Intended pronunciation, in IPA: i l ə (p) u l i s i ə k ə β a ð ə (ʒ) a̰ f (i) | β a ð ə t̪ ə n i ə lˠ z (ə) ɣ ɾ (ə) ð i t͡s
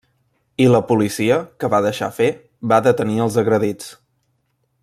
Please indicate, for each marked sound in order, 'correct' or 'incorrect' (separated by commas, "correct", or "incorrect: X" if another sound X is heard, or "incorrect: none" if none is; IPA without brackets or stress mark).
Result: correct, incorrect: ʃ, incorrect: e, correct, correct